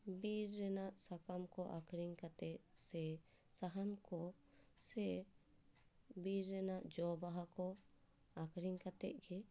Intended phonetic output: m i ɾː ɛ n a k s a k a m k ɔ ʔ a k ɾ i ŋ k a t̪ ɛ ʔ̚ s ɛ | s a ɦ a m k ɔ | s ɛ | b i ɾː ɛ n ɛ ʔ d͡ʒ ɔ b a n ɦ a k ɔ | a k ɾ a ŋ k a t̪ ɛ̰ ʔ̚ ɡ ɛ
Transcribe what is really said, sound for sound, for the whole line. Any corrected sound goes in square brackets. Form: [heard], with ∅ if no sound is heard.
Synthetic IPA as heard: [b] i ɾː ɛ n a [ʔ] s a k a m k ɔ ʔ a k ɾ i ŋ k a t̪ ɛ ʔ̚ s ɛ | s a ɦ a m k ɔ | s ɛ | b i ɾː ɛ n [a] ʔ d͡ʒ ɔ b a [∅] ɦ a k ɔ | a k ɾ [i] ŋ k a t̪ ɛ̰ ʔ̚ ɡ ɛ